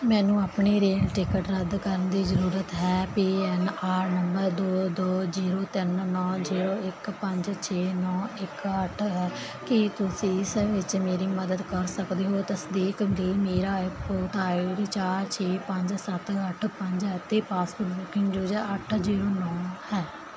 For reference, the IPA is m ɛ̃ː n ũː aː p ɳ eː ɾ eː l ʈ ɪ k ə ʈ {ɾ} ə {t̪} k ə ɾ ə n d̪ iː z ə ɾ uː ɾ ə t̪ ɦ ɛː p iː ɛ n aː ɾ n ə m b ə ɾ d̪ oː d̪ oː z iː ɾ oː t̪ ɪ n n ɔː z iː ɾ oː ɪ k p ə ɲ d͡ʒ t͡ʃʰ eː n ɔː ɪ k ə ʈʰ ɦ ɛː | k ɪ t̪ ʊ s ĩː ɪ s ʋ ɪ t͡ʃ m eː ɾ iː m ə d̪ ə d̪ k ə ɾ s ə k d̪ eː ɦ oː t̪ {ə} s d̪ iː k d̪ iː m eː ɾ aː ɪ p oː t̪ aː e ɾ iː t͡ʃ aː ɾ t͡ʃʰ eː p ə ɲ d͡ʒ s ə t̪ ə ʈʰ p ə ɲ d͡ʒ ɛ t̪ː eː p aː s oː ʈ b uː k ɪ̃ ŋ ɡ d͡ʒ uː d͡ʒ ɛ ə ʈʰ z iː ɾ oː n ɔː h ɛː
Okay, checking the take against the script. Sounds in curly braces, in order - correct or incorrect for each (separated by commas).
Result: correct, incorrect, correct